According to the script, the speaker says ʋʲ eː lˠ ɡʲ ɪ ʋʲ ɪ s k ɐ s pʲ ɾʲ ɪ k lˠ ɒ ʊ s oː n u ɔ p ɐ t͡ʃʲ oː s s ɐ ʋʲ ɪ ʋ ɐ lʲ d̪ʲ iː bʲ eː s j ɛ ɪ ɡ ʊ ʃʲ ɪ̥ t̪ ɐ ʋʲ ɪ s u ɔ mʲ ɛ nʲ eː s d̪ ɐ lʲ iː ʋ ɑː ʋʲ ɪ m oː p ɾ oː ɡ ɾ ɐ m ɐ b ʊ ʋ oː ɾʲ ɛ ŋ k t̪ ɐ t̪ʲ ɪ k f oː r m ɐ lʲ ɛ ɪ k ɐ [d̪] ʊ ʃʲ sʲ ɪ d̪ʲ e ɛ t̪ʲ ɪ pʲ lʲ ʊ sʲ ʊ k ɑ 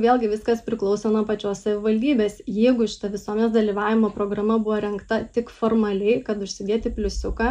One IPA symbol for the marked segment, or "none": t̪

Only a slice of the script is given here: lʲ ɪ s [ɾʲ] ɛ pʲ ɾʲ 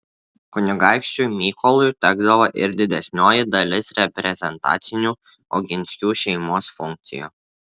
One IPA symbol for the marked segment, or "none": ɾʲ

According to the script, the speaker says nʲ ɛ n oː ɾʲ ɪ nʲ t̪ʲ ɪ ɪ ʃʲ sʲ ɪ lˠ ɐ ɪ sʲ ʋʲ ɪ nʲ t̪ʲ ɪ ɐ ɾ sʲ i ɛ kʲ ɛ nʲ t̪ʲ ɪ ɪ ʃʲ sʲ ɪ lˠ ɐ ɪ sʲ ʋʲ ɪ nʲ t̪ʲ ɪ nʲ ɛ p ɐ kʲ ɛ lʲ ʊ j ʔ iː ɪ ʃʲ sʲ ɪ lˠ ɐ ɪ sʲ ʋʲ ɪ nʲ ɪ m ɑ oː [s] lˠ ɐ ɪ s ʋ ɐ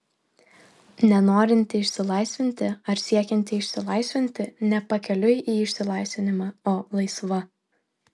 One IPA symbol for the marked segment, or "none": none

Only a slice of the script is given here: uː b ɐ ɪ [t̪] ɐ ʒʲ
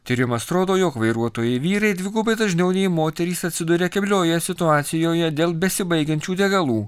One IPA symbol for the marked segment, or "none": d̪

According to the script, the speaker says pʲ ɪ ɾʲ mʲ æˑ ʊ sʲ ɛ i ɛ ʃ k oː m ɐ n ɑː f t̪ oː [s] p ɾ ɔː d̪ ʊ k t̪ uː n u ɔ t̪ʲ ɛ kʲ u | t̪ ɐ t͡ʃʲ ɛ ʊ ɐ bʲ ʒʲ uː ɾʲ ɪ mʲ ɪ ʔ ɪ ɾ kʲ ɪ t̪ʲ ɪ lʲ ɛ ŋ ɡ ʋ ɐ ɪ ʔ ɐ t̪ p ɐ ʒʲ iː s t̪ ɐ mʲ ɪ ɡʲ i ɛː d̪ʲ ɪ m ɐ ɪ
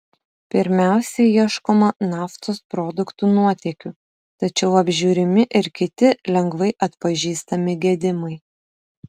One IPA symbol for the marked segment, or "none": s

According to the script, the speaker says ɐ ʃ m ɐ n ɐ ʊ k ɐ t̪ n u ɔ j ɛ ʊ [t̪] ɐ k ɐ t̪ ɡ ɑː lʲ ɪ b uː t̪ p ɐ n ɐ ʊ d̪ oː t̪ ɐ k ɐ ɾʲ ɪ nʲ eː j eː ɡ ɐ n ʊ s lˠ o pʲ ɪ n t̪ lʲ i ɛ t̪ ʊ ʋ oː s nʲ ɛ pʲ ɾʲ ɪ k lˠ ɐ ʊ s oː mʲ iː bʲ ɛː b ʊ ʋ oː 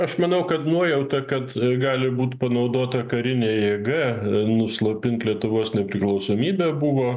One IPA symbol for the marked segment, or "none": t̪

